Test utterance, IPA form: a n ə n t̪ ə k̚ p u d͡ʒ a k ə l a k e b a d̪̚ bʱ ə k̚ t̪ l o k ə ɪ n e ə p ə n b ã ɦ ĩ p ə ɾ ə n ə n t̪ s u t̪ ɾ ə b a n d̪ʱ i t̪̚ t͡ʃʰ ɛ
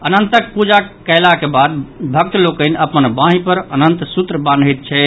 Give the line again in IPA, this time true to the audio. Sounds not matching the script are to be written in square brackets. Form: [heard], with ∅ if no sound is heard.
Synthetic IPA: [ə] n ə n t̪ ə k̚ p u d͡ʒ a k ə l a k e b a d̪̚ bʱ ə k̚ t̪ l o k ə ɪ n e ə p ə n b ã ɦ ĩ p ə ɾ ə n ə n t̪ s u t̪ ɾ ə b a n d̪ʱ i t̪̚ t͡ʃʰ ɛ